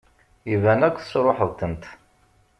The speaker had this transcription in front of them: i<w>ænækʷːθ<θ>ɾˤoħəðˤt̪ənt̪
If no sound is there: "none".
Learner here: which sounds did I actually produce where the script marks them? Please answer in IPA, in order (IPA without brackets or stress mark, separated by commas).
v, s